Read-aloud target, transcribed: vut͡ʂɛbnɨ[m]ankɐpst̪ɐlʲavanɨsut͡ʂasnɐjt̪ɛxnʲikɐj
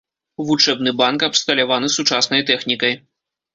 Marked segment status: incorrect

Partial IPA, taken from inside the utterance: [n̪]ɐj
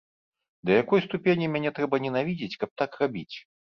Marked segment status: incorrect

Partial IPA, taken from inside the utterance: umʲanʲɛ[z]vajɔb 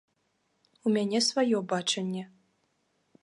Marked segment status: incorrect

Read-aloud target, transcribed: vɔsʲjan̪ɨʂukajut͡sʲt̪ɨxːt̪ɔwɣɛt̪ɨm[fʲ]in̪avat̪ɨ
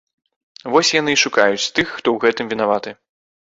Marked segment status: incorrect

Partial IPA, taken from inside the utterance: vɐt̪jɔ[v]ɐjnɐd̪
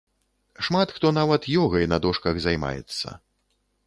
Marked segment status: incorrect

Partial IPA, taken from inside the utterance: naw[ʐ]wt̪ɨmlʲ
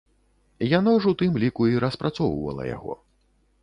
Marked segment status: correct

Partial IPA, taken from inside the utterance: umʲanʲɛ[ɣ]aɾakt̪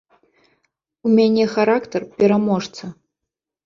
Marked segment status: incorrect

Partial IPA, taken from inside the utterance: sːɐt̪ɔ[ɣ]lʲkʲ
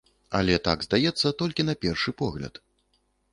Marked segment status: incorrect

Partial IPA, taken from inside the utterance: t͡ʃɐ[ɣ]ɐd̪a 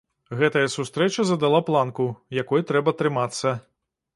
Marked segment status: incorrect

